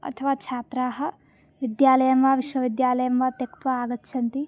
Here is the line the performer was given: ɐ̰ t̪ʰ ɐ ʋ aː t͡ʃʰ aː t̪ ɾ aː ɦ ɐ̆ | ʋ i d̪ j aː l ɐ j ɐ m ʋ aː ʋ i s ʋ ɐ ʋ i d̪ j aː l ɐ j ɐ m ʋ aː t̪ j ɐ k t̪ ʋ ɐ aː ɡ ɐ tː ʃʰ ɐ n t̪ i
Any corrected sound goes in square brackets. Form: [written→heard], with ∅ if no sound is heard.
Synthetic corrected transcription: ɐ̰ t̪ʰ ɐ ʋ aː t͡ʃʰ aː t̪ ɾ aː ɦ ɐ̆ | ʋ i d̪ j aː l ɐ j ɐ m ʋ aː ʋ i [s→ʃ] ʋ ɐ ʋ i d̪ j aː l ɐ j ɐ m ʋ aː t̪ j ɐ k t̪ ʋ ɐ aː ɡ ɐ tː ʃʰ ɐ n t̪ i